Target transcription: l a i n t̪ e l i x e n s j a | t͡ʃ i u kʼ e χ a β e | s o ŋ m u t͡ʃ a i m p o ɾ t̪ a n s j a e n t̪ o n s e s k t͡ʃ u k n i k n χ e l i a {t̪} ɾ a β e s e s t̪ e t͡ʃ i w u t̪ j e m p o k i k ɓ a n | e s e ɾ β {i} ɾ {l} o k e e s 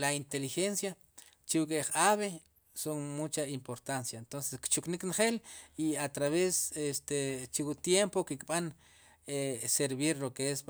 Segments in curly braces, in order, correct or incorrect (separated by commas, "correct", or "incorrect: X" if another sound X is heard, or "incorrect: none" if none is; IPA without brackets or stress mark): correct, correct, correct